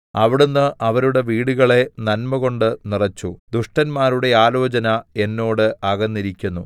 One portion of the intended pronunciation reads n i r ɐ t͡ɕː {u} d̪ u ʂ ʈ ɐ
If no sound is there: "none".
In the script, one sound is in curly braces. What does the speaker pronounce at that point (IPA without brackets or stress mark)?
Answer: u